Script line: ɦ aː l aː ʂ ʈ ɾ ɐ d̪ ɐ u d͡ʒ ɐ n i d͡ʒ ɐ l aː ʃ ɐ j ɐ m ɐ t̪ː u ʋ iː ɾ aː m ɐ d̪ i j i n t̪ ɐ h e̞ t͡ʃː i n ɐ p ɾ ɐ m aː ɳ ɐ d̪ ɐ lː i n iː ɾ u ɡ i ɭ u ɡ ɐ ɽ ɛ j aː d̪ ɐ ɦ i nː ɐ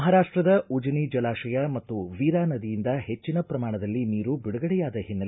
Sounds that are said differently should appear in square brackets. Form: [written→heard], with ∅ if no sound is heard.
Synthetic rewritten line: ɦ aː [l→ɾ] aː ʂ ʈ ɾ ɐ d̪ ɐ u d͡ʒ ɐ n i d͡ʒ ɐ l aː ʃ ɐ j ɐ m ɐ t̪ː u ʋ iː ɾ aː [m→n] ɐ d̪ i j i n [t̪→d̪] ɐ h e̞ t͡ʃː i n ɐ p ɾ ɐ m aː ɳ ɐ d̪ ɐ lː i n iː ɾ u [ɡ→b] i [ɭ→ɽ] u ɡ ɐ ɽ ɛ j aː d̪ ɐ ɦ i nː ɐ

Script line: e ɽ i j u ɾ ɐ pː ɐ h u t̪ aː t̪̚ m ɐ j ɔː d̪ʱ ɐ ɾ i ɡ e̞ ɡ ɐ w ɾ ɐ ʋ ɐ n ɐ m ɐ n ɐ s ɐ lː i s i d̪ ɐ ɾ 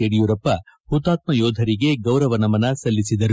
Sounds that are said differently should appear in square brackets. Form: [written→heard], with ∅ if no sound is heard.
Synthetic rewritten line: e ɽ i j u ɾ ɐ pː ɐ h u t̪ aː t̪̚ m ɐ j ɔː d̪ʱ ɐ ɾ i ɡ e̞ ɡ ɐ w ɾ ɐ ʋ ɐ n ɐ m ɐ n ɐ s ɐ lː i s i d̪ ɐ ɾ

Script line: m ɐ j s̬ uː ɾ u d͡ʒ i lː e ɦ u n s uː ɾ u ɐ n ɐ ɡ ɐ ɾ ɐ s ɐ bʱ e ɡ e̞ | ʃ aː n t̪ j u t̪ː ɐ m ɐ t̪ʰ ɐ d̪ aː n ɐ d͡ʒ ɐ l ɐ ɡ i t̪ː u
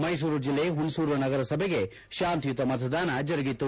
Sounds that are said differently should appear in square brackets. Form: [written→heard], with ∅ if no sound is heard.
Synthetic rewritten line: m ɐ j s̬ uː ɾ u d͡ʒ i lː e ɦ u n s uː ɾ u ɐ n ɐ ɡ ɐ ɾ ɐ s ɐ bʱ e ɡ e̞ | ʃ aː n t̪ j u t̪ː ɐ m ɐ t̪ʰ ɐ d̪ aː n ɐ d͡ʒ ɐ [l→ɾ] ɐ ɡ i t̪ː u

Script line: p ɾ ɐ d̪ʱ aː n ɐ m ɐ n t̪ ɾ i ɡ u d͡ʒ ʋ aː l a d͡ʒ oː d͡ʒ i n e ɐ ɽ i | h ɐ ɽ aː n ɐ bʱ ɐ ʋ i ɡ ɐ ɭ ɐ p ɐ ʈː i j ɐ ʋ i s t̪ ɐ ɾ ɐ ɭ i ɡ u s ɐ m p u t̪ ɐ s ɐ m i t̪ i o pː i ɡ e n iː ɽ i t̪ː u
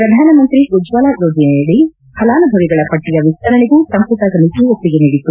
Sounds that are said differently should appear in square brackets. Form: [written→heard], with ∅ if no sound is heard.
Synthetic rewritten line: p ɾ ɐ d̪ʱ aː n ɐ m ɐ n t̪ ɾ i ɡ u d͡ʒ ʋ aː l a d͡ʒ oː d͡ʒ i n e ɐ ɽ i | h ɐ [ɽ→l] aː n ɐ bʱ ɐ ʋ i ɡ ɐ ɭ ɐ p ɐ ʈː i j ɐ ʋ i s t̪ ɐ ɾ ɐ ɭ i ɡ u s ɐ m p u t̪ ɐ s ɐ m i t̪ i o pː i ɡ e n iː ɽ i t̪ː u

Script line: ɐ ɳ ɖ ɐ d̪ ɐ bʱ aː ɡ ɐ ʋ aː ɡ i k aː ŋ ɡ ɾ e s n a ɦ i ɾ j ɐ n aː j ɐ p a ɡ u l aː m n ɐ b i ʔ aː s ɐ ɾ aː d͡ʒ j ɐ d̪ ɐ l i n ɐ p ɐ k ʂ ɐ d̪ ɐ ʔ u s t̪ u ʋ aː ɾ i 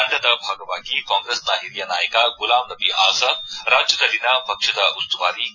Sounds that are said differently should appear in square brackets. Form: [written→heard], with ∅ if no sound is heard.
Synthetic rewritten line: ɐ ɳ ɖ ɐ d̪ ɐ bʱ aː ɡ ɐ ʋ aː ɡ i k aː ŋ ɡ ɾ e s n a ɦ i ɾ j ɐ n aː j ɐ [p→k] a ɡ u l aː m n ɐ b i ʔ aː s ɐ ɾ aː d͡ʒ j ɐ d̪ ɐ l i n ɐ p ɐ k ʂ ɐ d̪ ɐ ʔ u s t̪ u ʋ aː ɾ i

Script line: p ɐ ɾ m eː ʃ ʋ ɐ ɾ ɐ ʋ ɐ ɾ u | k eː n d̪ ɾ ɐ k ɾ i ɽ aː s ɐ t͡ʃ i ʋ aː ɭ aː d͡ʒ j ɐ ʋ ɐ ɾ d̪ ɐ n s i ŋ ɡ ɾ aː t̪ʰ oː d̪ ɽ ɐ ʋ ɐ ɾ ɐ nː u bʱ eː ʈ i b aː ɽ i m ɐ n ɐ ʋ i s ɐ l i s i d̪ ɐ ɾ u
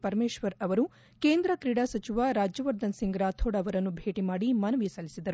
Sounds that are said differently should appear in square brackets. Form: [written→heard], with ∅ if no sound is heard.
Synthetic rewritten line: p ɐ ɾ m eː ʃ ʋ ɐ ɾ ɐ ʋ ɐ ɾ u | k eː n d̪ ɾ ɐ k ɾ i ɽ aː s ɐ t͡ʃ i ʋ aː [ɭ→ɾ] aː d͡ʒ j ɐ ʋ ɐ ɾ d̪ ɐ n s i ŋ ɡ ɾ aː t̪ʰ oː [d̪→∅] ɽ ɐ ʋ ɐ ɾ ɐ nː u bʱ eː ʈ i [b→m] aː ɽ i m ɐ n ɐ ʋ i s ɐ l i s i d̪ ɐ ɾ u

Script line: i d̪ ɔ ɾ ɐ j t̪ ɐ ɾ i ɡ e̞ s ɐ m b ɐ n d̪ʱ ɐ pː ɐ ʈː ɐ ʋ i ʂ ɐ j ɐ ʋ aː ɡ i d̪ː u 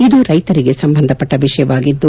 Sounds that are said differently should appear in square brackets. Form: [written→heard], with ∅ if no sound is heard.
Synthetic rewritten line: i d̪ [ɔ→u] ɾ ɐ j t̪ ɐ ɾ i ɡ e̞ s ɐ m b ɐ n d̪ʱ ɐ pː ɐ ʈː ɐ ʋ i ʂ ɐ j ɐ ʋ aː ɡ i d̪ː u

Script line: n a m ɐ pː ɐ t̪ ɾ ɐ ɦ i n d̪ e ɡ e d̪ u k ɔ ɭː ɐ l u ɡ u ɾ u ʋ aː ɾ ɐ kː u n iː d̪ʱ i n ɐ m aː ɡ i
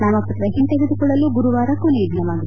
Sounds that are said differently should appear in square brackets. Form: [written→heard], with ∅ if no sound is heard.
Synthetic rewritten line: n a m ɐ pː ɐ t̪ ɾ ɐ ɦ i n [d̪→t̪] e ɡ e d̪ u k ɔ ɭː ɐ l u ɡ u ɾ u ʋ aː ɾ ɐ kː u n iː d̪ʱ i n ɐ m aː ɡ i

